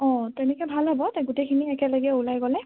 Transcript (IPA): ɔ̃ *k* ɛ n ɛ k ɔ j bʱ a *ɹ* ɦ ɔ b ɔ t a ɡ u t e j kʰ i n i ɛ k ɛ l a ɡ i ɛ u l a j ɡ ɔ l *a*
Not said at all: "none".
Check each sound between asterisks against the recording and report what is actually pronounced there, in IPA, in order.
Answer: t, l, ɛ

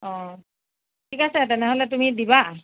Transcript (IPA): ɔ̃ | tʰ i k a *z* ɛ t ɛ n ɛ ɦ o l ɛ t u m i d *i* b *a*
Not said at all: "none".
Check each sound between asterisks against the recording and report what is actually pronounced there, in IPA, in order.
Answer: s, i, a

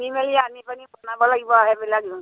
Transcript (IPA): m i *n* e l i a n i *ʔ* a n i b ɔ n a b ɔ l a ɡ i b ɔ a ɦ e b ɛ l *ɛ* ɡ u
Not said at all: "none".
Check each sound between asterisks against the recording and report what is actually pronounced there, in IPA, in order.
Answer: m, p, a

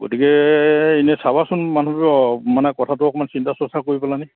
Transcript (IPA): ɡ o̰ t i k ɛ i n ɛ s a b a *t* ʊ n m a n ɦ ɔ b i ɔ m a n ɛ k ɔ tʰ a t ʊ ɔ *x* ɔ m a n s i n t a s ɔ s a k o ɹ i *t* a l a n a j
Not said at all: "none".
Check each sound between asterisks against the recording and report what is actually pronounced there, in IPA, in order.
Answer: s, k, p

